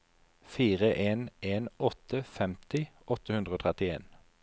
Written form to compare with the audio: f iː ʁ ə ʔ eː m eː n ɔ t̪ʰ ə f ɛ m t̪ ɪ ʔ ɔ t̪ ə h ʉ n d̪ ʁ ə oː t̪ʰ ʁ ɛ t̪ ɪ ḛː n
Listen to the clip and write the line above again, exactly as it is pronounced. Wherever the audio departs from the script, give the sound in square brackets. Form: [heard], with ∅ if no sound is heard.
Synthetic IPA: f iː ʁ ə ʔ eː [n] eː n ɔ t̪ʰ ə f ɛ m t̪ ɪ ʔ ɔ t̪ ə h ʉ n d̪ ʁ ə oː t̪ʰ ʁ ɛ t̪ ɪ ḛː n